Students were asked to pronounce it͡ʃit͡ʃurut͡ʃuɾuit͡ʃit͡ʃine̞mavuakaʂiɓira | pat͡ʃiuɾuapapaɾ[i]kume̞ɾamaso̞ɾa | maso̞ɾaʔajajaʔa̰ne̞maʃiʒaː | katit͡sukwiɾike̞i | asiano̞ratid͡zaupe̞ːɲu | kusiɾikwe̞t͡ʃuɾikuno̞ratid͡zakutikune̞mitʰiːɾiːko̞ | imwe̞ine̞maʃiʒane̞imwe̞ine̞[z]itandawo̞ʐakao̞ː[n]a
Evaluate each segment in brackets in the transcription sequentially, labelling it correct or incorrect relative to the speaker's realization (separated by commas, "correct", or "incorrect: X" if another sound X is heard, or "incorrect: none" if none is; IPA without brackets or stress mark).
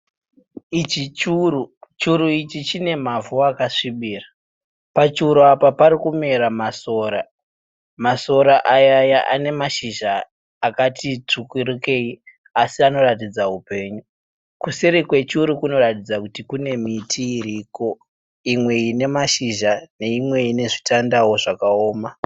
correct, incorrect: ʐ, incorrect: m